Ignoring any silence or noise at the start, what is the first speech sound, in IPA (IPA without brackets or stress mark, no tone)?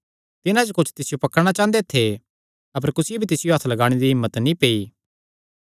t̪